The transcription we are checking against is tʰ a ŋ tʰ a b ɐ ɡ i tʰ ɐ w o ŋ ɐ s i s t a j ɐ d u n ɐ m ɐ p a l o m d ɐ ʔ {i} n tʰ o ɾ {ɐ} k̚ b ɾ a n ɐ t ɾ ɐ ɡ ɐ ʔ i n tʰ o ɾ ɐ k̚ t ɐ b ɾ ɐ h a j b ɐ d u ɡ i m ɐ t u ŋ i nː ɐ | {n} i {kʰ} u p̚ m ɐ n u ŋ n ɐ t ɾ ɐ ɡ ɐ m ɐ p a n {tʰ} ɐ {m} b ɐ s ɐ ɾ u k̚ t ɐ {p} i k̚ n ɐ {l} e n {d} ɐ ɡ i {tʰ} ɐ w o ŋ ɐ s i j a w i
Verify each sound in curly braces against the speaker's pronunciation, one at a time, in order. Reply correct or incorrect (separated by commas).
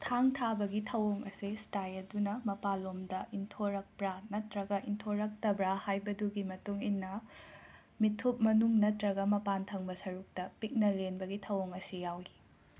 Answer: correct, correct, incorrect, incorrect, correct, incorrect, correct, correct, incorrect, correct